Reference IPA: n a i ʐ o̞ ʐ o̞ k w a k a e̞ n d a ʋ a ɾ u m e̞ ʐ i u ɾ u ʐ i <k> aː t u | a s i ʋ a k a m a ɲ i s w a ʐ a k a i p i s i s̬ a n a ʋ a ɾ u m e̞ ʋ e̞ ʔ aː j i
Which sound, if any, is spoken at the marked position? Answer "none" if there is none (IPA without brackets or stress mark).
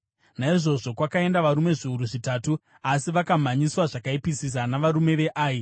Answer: t